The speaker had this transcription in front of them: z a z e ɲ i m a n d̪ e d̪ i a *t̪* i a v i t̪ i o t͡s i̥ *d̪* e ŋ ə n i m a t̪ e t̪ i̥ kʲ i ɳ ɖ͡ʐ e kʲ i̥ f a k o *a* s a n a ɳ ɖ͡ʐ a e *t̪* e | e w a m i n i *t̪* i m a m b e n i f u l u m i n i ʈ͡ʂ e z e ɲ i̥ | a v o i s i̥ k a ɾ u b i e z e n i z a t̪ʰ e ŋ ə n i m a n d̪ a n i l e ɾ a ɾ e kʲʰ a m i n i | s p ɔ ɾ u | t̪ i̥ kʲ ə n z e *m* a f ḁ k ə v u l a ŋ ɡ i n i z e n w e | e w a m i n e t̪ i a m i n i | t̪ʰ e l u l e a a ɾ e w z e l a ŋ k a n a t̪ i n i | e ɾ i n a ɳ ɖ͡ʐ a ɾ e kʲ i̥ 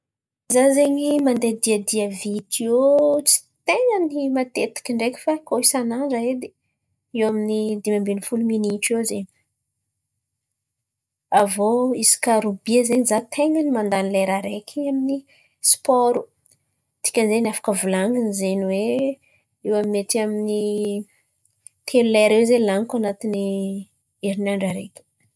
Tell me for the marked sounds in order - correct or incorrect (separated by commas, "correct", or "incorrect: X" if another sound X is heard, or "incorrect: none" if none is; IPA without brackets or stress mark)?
incorrect: d̪, incorrect: t̪, incorrect: i, incorrect: d̪, incorrect: d̪, incorrect: n